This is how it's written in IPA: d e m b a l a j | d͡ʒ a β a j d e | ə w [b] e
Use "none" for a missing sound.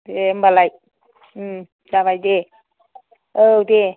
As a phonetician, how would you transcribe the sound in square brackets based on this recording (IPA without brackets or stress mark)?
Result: d